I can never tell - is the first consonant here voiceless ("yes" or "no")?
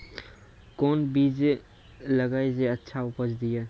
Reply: yes